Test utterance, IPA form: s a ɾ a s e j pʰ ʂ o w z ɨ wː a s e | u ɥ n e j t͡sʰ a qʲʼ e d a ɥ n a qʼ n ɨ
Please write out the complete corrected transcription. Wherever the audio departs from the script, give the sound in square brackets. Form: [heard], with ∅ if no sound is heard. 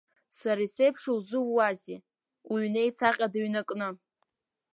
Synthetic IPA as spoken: s a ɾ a s e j pʰ ʂ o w z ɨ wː a [z] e | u ɥ n e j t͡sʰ a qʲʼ [a] d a ɥ n a [kʼ] n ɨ